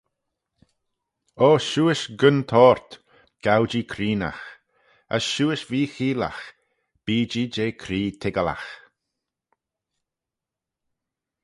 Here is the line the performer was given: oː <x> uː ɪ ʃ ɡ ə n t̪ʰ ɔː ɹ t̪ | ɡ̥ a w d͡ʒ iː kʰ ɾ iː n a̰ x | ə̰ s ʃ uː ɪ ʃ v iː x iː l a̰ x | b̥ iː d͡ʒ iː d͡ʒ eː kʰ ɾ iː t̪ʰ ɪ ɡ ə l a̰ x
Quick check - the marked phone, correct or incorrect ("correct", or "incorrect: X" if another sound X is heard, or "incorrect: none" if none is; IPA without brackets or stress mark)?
incorrect: ʃ